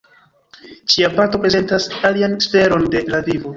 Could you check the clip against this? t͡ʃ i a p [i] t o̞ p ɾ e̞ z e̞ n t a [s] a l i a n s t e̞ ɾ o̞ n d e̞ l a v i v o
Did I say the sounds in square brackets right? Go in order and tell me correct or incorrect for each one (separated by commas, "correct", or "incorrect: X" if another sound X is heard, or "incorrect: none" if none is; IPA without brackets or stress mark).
incorrect: a, correct